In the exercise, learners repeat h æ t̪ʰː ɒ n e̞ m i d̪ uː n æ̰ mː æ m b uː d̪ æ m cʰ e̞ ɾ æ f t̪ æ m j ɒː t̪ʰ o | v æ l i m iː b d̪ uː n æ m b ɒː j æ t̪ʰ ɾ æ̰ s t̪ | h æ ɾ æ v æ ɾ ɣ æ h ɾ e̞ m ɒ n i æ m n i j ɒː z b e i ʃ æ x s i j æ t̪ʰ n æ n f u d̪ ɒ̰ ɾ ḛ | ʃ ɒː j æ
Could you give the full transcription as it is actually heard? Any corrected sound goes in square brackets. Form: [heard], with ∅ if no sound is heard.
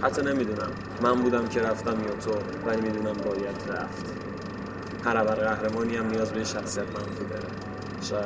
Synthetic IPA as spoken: h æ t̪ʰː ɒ n e̞ m i d̪ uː n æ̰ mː æ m b uː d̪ æ m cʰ e̞ ɾ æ f t̪ æ m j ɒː t̪ʰ o | v æ l i m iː [∅] d̪ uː n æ m b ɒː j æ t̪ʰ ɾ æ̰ [f] t̪ | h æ ɾ æ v æ ɾ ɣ æ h ɾ e̞ m [ɒː] n i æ m n i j ɒː z b e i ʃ æ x s i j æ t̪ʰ [m] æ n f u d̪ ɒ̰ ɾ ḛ | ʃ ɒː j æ